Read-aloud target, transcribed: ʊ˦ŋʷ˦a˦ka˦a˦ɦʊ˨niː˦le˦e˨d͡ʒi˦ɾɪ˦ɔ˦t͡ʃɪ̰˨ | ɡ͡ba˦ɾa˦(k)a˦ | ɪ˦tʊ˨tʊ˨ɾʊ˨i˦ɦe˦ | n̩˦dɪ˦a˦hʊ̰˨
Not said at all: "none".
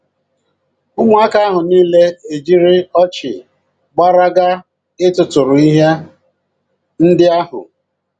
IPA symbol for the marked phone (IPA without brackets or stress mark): ɡ